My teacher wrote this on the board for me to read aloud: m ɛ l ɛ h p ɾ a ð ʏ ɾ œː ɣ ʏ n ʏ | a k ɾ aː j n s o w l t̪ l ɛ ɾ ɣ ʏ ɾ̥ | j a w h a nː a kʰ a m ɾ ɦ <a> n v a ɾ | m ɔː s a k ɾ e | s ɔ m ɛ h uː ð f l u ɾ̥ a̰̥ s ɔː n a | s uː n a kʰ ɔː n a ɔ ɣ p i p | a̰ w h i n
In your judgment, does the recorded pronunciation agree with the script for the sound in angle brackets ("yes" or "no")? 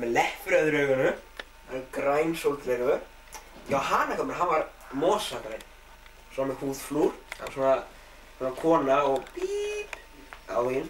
yes